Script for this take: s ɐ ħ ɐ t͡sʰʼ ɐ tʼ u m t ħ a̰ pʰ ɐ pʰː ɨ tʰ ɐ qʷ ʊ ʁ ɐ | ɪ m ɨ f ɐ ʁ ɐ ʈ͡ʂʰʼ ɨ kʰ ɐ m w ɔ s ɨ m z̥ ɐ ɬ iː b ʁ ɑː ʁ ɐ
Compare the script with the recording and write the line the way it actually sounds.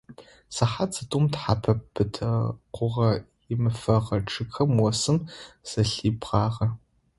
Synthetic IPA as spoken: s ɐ ħ a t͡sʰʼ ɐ tʼ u m t ħ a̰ pʰ ɐ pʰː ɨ tʰ ɐ qʷ ʊ ʁ ɐ | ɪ m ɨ f ɐ ʁ ɐ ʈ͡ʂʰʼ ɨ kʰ ɐ m w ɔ s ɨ m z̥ ɐ ɬ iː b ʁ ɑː ʁ ɐ